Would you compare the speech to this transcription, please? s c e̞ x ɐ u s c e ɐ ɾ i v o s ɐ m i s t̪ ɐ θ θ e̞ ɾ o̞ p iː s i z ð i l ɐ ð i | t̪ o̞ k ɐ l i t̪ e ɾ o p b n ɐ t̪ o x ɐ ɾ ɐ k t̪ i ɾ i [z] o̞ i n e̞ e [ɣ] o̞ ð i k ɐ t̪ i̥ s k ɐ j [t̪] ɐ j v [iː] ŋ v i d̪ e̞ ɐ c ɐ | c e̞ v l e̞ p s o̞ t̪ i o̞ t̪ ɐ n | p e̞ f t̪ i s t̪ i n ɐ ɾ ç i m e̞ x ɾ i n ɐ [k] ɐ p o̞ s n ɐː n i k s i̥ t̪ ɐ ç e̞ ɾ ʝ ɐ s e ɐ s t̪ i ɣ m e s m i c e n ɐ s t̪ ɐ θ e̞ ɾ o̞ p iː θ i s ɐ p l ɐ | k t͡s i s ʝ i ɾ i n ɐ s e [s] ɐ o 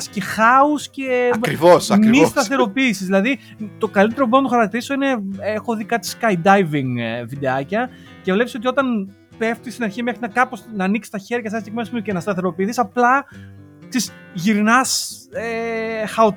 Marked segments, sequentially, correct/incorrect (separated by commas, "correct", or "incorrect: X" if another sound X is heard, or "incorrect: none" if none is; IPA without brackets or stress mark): incorrect: s, incorrect: x, incorrect: d̪, incorrect: i, correct, incorrect: x